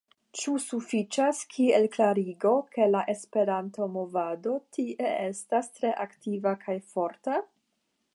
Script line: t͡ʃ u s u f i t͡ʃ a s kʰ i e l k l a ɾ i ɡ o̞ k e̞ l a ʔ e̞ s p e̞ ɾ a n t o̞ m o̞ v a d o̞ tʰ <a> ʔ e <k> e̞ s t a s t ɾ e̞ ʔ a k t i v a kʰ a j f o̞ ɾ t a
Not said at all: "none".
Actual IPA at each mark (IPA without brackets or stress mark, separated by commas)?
i, none